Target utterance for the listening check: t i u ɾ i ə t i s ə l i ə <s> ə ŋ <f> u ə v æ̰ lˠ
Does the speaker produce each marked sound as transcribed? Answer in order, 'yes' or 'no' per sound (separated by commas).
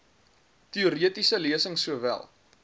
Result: yes, no